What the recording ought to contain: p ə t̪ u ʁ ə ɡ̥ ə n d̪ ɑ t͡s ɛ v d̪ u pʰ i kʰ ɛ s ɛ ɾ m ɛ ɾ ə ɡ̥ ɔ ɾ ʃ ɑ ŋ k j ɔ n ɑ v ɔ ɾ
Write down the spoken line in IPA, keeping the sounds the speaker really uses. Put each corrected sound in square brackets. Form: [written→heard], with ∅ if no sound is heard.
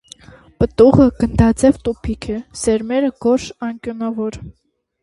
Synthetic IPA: p ə t̪ u ʁ ə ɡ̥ ə n d̪ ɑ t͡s ɛ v [d̪→t̪] u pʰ i kʰ ɛ s ɛ ɾ m ɛ ɾ ə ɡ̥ ɔ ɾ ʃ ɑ ŋ k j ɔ n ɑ v ɔ ɾ